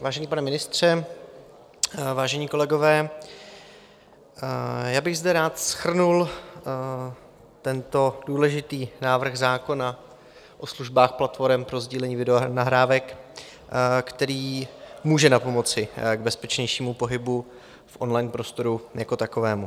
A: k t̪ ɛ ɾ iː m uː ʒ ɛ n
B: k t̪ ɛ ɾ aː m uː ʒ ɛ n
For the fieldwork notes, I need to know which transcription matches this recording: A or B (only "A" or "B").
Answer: A